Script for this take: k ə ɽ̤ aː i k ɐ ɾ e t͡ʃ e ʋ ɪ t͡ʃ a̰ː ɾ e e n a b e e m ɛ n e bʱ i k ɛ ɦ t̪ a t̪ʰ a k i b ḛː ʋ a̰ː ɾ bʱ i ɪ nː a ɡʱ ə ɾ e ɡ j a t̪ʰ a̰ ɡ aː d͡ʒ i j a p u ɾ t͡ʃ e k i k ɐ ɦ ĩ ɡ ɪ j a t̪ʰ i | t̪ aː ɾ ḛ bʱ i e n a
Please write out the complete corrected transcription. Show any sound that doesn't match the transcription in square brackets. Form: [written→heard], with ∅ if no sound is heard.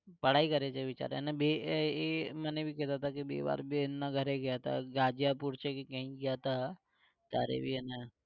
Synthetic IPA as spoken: [k→p] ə ɽ̤ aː i k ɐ ɾ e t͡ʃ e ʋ ɪ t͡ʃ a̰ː ɾ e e n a b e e m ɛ n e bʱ i k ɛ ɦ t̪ a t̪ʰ a k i b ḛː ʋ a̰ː ɾ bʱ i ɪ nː a ɡʱ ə ɾ e ɡ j a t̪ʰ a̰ ɡ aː d͡ʒ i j a p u ɾ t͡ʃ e k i k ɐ ɦ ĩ ɡ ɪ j a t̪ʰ [i→a] | t̪ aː ɾ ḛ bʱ i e n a